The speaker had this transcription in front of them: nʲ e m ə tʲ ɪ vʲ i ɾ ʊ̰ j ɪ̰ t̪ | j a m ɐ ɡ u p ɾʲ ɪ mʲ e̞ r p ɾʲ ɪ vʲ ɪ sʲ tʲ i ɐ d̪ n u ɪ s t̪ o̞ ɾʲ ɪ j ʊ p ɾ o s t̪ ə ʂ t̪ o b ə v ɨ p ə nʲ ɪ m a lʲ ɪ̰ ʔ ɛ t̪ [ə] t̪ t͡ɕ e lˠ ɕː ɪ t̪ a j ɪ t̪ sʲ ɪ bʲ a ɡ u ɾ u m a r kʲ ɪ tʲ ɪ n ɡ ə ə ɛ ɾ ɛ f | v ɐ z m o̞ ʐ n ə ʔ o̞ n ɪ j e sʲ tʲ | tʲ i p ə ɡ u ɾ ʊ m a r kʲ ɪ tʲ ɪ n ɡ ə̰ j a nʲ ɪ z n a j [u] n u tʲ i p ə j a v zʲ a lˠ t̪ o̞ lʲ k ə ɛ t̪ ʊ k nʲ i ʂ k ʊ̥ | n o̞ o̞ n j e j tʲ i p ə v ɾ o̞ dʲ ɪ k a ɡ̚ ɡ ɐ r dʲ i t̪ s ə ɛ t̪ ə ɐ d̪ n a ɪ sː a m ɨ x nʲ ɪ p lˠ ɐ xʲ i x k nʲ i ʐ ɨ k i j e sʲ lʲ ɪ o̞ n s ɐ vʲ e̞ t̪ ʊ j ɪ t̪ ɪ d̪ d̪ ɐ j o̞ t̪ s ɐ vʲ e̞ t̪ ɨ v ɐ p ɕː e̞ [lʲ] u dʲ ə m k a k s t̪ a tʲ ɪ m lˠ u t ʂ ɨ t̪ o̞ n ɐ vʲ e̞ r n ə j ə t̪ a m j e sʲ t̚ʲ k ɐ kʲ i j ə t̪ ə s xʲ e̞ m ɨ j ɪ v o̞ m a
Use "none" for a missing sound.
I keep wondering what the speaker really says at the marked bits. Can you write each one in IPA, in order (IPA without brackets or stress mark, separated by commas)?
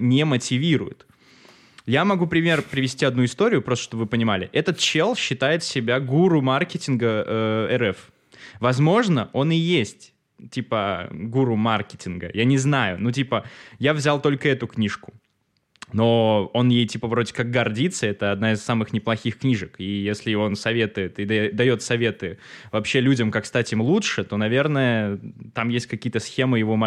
ə, ʊ, lʲ